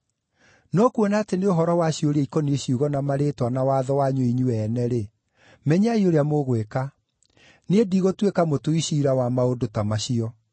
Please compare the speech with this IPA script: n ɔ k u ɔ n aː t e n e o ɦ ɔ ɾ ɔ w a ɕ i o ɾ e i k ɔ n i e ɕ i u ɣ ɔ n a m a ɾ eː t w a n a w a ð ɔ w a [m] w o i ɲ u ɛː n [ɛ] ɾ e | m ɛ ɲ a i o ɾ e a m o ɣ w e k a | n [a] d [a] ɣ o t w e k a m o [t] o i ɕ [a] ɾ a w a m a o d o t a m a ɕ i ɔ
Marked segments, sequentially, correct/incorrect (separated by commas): incorrect, correct, incorrect, incorrect, correct, incorrect